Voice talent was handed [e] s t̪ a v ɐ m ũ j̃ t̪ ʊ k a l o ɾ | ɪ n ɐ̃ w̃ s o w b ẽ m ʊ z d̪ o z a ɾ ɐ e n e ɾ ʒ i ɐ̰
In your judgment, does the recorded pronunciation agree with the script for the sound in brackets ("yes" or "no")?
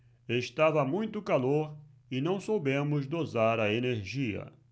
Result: yes